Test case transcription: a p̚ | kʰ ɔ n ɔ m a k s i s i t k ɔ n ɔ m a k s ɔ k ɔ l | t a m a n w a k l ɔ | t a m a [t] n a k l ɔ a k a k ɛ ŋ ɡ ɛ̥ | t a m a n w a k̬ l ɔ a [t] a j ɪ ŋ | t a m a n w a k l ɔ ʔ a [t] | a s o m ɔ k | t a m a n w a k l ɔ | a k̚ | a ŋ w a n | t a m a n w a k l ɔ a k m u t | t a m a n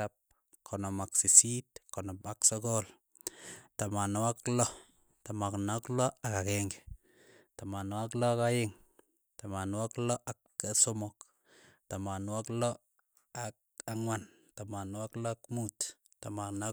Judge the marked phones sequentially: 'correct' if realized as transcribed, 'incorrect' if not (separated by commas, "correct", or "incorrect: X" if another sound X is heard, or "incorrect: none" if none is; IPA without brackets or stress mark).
incorrect: k, incorrect: k, incorrect: k